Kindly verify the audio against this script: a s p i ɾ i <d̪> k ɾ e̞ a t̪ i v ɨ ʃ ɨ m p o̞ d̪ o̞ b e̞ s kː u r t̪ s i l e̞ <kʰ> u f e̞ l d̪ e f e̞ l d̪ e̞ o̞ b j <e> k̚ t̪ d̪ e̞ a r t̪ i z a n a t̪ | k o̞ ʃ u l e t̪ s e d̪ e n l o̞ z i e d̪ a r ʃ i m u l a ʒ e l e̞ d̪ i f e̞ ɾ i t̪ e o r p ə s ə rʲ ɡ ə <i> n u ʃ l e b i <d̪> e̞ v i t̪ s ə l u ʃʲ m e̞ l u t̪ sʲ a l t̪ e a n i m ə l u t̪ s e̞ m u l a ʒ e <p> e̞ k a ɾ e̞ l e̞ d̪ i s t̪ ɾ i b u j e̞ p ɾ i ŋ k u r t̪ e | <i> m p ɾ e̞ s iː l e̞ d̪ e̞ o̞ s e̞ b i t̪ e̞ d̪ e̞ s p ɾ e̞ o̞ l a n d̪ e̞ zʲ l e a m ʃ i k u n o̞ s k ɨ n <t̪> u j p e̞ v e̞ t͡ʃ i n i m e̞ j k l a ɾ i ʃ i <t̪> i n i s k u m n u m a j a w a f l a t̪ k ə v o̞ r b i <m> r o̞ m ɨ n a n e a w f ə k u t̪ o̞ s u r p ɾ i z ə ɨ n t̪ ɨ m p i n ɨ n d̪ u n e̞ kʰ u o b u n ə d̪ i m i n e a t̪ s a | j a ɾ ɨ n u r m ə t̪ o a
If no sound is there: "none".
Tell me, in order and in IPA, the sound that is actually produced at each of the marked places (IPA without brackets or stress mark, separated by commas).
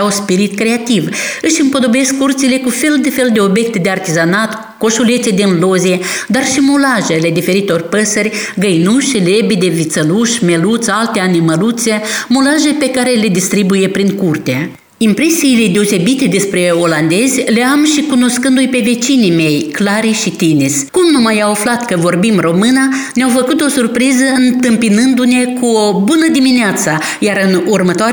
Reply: t̪, k, e, j, d̪, p, i, d̪, t̪, m